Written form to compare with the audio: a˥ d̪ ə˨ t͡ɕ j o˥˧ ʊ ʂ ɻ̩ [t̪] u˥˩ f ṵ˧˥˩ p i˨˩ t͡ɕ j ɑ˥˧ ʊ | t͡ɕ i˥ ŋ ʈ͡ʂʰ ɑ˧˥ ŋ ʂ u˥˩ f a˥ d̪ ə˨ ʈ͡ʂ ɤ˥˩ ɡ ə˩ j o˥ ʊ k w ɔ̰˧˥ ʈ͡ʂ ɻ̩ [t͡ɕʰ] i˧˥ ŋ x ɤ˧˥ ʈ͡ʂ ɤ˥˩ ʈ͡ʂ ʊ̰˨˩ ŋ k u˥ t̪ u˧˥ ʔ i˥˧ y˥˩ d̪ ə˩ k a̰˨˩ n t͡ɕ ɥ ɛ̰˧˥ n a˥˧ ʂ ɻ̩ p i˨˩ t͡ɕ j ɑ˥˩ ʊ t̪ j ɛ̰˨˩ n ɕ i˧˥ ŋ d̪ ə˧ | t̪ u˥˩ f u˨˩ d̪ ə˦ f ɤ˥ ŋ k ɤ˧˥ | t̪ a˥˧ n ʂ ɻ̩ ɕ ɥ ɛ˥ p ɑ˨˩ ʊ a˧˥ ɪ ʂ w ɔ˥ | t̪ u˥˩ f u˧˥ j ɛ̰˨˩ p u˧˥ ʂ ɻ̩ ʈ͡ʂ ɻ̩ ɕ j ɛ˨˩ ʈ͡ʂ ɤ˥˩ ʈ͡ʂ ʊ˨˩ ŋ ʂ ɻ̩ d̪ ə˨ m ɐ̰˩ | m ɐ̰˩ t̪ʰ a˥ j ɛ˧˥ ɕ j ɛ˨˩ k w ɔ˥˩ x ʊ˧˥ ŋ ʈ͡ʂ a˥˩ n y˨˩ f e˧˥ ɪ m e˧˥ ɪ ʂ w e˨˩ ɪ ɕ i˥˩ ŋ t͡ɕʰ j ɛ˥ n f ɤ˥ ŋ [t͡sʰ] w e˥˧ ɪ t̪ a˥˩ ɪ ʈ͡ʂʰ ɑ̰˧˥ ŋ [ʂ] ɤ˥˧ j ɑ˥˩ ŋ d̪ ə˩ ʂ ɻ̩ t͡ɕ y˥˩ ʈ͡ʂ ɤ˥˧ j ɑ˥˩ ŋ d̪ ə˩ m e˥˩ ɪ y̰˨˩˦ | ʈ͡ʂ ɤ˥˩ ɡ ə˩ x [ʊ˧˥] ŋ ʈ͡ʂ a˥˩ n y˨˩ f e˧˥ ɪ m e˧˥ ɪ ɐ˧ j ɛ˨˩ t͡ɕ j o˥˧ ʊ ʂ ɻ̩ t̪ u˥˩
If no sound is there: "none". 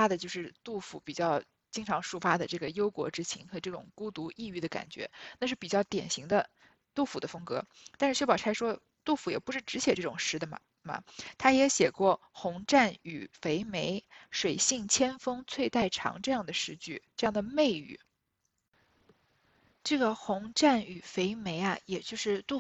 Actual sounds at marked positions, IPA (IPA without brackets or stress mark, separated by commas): t̪, t͡ɕʰ, t͡sʰ, ʈ͡ʂ, ʊ˧˥